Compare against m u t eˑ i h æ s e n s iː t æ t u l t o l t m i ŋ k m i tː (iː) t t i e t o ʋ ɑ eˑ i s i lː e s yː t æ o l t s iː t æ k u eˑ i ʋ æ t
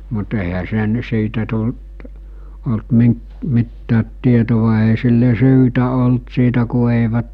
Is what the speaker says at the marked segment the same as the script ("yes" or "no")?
no